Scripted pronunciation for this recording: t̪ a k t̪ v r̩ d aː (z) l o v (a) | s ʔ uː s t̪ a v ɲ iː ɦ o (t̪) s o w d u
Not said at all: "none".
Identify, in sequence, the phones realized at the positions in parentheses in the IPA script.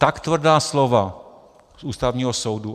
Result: s, a, none

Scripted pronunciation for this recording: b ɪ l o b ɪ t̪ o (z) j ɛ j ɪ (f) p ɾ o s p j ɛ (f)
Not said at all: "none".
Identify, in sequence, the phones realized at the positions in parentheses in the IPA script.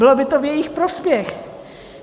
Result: v, x, x

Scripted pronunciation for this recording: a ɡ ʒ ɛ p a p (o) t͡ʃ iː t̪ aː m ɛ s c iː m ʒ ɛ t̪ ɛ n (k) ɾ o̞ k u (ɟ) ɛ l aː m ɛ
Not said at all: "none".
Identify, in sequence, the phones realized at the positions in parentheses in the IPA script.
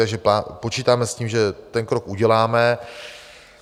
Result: o, k, ɟ

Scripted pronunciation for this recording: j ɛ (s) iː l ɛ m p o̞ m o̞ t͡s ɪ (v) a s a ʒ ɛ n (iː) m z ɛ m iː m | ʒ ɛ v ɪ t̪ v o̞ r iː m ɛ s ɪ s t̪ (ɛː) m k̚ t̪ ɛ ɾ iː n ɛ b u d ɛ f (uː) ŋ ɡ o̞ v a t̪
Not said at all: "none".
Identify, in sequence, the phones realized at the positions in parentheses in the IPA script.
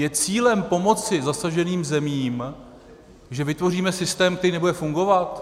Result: t͡s, z, iː, ɛː, u

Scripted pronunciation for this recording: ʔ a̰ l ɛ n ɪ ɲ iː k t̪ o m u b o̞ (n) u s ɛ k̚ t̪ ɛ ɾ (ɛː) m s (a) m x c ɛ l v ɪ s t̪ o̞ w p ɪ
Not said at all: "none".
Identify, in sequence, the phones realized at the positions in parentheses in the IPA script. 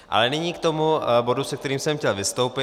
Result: d, iː, ɛ

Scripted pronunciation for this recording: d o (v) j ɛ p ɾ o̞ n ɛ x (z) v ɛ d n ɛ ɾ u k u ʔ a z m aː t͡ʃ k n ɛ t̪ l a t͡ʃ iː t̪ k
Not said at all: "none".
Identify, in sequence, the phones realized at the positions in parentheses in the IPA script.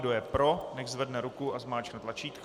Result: none, z

